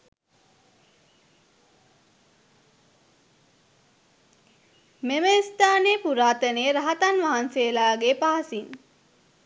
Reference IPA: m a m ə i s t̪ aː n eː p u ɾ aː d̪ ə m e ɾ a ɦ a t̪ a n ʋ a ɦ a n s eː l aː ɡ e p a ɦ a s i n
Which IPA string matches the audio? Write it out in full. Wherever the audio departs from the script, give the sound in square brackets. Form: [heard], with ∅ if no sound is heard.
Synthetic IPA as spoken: m [e] m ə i s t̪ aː n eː p u ɾ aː [t̪] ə [n] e ɾ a ɦ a t̪ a n ʋ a ɦ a n s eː l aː ɡ e p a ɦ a s i n